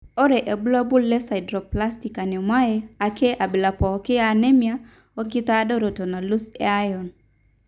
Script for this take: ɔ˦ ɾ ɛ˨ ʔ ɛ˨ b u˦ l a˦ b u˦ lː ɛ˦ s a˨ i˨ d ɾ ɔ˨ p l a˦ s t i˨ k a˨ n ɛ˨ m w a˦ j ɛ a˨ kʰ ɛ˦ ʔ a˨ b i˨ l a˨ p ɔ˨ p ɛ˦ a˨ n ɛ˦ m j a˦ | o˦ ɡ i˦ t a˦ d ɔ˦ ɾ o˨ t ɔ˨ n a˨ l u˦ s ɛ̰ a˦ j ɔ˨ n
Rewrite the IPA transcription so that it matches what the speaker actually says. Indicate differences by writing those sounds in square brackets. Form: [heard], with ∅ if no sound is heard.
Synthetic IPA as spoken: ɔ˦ ɾ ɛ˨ ʔ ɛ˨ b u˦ l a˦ b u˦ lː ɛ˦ s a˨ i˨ d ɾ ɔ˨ p l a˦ s t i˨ k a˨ n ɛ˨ m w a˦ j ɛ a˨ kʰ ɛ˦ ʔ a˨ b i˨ l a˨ p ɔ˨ [k] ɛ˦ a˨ n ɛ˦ m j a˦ | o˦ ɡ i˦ t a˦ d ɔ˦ ɾ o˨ t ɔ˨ n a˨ l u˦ s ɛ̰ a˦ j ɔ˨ n